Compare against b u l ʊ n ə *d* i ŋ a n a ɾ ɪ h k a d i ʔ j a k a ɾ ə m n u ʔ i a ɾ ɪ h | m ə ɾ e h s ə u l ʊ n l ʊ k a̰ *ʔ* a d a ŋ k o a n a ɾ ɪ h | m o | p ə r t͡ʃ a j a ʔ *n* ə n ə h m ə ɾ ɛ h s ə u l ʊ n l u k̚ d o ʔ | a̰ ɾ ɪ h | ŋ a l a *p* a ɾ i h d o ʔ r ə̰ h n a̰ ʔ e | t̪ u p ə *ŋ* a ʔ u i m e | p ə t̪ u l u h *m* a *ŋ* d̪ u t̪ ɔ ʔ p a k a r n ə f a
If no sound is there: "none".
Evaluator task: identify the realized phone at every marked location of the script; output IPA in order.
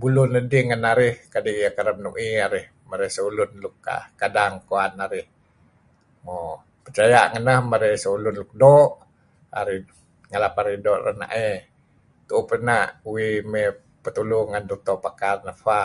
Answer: d, k, ŋ, p, n, ŋ, n

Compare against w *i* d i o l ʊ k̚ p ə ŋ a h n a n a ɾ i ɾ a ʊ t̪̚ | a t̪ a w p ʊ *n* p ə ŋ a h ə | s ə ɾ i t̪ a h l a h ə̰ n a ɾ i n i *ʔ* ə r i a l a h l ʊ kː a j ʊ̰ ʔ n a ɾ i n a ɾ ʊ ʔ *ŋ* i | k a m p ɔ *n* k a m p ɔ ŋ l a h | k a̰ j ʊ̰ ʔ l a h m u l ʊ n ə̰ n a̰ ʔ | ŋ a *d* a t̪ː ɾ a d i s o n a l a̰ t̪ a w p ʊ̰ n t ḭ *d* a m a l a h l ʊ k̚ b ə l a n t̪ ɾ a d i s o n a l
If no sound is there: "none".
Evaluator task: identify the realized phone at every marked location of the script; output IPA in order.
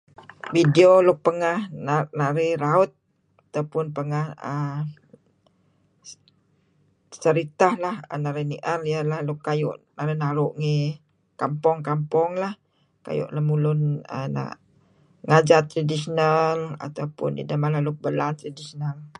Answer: i, n, ʔ, ŋ, ŋ, d͡ʒ, d

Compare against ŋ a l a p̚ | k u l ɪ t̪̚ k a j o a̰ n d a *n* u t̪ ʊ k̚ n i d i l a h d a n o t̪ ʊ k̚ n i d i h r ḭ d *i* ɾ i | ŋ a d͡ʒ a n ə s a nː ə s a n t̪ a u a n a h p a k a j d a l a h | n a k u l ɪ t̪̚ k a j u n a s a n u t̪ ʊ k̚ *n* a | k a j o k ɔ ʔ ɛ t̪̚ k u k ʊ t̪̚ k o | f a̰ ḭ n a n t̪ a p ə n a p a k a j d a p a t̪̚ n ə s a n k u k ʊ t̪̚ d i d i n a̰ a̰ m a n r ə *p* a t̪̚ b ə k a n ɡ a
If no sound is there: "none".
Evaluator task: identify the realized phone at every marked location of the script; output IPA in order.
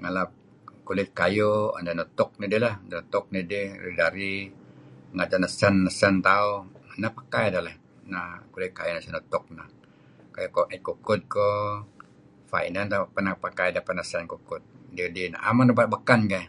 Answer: n, a, n, b

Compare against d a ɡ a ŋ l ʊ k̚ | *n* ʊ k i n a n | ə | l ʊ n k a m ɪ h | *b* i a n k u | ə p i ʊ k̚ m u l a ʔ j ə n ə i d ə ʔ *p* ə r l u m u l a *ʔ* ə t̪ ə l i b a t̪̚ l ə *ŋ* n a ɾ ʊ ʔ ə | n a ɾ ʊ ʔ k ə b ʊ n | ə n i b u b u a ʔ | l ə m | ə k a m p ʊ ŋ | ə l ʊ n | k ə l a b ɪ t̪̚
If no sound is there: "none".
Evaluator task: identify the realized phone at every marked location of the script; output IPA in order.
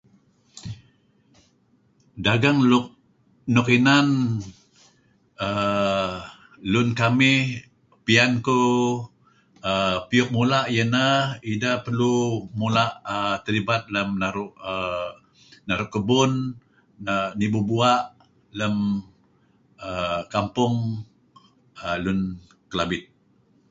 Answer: n, p, p, ʔ, m

